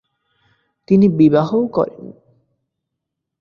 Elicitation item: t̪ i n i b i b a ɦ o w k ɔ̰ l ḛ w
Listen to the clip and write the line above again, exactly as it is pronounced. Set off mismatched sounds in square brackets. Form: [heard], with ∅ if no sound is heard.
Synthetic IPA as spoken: t̪ i n i b i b a ɦ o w k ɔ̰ [ɾ] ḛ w